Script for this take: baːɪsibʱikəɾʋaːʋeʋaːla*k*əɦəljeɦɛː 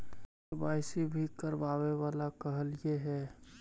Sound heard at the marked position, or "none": k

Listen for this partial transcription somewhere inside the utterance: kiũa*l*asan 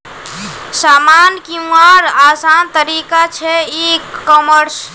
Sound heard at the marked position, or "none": ɾ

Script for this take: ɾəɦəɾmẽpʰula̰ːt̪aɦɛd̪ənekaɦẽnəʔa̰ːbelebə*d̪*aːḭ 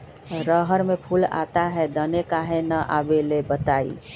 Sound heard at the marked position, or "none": t̪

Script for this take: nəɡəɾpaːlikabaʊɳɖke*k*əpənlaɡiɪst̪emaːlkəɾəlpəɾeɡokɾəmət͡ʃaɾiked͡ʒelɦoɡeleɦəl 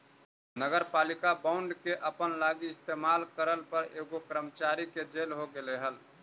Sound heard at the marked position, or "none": ʔ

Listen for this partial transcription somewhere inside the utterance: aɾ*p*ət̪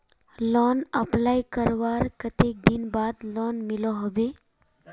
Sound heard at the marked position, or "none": k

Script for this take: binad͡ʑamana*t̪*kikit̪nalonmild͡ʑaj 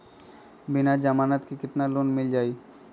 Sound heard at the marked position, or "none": t̪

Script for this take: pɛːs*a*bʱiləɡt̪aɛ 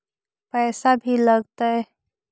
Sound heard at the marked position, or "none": a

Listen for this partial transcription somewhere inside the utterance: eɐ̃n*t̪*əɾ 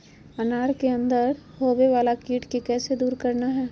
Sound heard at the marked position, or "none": d̪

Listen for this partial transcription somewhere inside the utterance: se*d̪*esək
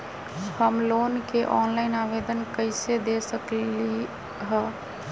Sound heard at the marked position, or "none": d̪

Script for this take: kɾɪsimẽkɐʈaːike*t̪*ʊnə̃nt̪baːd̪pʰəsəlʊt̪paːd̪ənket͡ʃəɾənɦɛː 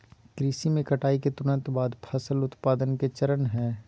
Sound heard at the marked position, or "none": t̪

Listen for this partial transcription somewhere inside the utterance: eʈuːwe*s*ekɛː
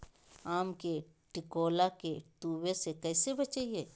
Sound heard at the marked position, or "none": s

